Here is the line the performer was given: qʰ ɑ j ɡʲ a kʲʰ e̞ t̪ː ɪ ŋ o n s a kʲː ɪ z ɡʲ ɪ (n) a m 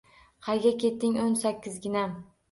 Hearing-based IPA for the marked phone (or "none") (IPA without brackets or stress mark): n